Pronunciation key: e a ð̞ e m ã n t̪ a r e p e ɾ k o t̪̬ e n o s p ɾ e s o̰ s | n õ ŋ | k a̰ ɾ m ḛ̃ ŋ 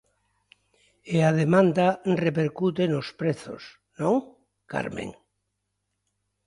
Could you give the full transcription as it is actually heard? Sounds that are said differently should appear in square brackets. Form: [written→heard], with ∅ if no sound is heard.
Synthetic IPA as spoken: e a ð̞ e m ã n [t̪→d̪] a r e p e ɾ k [o→u] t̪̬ e n o s p ɾ e [s→θ] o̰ s | n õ ŋ | k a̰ ɾ m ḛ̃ ŋ